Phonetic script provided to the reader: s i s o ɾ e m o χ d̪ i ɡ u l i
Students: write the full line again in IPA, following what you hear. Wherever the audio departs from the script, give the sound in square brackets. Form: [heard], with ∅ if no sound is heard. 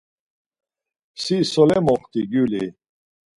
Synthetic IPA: s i s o [l] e m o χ [t̪] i ɡ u l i